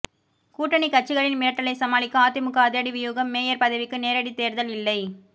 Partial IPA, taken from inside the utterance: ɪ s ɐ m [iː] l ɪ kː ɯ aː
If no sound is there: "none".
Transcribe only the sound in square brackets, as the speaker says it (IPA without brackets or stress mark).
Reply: aː